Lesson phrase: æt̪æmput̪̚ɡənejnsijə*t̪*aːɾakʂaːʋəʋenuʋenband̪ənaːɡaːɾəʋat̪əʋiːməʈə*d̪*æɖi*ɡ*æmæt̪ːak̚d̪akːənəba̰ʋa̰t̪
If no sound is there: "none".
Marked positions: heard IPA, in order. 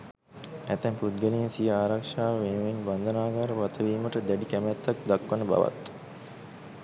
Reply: none, d̪, k

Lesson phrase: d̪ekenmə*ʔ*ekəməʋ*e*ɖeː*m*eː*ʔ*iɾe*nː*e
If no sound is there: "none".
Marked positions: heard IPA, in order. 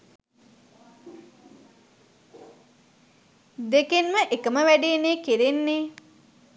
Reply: ʔ, æ, n, k, nː

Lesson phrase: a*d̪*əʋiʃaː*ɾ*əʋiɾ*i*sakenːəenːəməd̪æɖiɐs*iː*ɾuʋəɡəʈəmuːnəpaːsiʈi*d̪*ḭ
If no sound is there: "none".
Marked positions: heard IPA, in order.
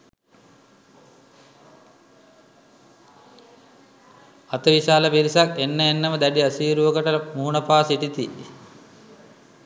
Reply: t̪, l, i, iː, t̪

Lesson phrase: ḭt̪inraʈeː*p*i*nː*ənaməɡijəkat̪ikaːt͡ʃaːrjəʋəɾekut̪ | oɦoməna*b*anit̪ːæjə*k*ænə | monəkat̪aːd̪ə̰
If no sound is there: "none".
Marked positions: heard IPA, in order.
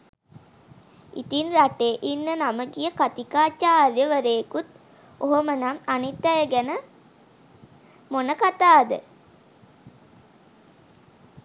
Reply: ʔ, nː, m, ɡ

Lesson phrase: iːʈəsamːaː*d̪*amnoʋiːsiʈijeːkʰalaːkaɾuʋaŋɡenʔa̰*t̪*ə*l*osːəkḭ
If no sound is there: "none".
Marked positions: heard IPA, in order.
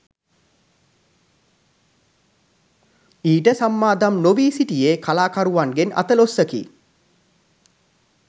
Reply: d̪, t̪, l

